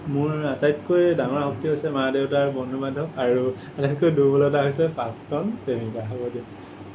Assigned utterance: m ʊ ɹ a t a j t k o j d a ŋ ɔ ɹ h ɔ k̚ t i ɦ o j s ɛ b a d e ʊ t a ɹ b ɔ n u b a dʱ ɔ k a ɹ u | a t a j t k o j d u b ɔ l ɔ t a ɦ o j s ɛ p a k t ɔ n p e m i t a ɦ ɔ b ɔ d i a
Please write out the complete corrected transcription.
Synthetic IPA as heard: m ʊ ɹ a t a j t k o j d a ŋ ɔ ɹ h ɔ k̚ t i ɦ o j s ɛ m a d e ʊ t a ɹ b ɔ n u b a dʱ ɔ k a ɹ u | a t a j t k o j d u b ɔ l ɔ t a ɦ o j s ɛ p a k t ɔ n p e m i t a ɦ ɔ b ɔ d i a